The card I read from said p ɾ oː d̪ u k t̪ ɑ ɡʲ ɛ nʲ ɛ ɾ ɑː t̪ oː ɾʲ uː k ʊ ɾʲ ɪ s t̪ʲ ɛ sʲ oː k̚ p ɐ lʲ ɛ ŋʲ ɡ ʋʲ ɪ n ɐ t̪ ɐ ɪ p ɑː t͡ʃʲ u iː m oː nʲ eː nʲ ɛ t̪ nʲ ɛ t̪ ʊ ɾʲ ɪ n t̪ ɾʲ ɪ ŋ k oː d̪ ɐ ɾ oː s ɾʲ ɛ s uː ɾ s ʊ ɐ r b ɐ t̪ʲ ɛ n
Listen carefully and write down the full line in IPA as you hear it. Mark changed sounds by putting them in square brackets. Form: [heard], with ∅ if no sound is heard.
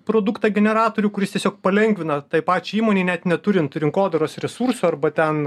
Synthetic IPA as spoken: p ɾ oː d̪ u k t̪ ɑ ɡʲ ɛ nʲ ɛ ɾ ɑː t̪ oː ɾʲ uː k ʊ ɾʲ ɪ s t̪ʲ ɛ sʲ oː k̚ p ɐ lʲ ɛ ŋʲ ɡ ʋʲ ɪ n ɐ t̪ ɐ ɪ p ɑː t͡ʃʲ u iː m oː nʲ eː nʲ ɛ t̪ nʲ ɛ t̪ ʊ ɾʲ ɪ n t̪ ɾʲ ɪ ŋ k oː d̪ ɐ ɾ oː s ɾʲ ɛ s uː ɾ s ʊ ɐ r b ɐ t̪ʲ ɛ n